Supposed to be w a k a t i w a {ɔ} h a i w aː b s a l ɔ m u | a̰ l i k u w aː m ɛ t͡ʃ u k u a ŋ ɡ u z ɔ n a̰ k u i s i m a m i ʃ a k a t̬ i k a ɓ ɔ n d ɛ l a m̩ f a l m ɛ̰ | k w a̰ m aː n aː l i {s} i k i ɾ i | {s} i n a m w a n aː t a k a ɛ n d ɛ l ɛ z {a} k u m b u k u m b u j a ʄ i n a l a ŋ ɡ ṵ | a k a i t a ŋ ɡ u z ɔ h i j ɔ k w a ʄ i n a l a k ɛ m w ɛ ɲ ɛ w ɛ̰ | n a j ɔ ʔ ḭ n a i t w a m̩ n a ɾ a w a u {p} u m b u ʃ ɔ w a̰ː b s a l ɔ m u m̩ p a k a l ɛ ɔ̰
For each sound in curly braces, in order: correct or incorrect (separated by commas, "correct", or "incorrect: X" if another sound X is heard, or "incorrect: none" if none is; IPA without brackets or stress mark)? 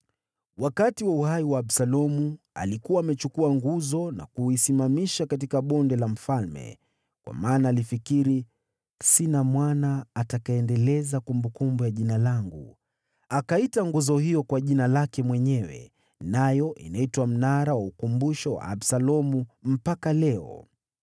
incorrect: u, incorrect: f, correct, correct, incorrect: k